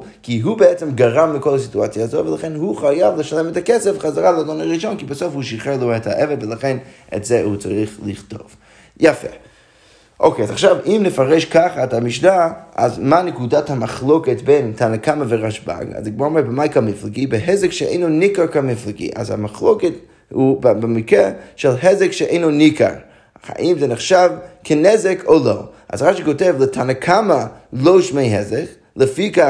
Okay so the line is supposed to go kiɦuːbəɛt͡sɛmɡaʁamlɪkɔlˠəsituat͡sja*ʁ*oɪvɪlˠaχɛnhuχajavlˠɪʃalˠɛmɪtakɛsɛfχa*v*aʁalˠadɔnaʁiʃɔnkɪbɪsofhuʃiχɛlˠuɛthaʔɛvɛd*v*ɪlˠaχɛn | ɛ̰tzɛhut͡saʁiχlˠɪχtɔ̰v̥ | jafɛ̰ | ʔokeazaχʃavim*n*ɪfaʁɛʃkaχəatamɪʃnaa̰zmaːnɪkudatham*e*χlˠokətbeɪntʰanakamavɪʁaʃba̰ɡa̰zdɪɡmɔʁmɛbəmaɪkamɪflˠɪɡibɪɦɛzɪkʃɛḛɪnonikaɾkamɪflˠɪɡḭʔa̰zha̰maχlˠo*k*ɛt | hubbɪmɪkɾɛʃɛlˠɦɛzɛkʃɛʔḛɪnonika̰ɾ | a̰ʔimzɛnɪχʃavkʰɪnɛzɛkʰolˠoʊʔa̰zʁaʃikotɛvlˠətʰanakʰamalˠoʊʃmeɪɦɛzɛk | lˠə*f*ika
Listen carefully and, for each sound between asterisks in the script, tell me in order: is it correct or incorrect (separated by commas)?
incorrect, incorrect, correct, correct, incorrect, correct, correct